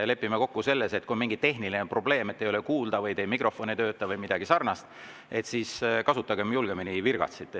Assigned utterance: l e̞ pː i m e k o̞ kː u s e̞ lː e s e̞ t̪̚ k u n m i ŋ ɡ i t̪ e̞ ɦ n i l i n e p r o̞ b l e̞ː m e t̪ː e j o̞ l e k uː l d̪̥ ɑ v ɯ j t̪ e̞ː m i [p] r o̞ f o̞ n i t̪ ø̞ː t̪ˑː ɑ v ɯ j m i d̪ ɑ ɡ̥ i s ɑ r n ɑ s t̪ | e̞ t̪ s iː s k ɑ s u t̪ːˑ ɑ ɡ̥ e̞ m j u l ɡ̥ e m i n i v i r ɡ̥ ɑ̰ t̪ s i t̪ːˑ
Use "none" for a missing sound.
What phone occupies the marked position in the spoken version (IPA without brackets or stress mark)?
k